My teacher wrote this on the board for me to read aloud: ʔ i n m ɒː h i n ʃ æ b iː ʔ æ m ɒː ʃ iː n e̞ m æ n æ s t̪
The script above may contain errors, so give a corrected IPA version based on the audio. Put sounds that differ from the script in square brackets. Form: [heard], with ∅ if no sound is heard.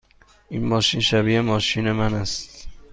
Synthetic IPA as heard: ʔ i n m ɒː [ʃ] i n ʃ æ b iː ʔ [e] m ɒː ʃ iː n e̞ m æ n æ s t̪